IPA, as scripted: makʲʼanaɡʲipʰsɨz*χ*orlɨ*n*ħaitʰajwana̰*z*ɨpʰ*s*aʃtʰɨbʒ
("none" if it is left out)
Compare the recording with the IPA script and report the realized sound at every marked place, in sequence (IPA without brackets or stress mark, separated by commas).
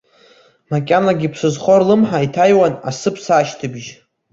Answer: χ, m, s, s